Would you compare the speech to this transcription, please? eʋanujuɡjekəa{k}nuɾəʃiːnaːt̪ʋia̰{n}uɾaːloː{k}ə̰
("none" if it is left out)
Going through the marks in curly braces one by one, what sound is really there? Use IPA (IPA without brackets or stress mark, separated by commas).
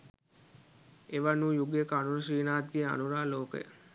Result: none, n, k